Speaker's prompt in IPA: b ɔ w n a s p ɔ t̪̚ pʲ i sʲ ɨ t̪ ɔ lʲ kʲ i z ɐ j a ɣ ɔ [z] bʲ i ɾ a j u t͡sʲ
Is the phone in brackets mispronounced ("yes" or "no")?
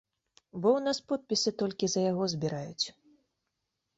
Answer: no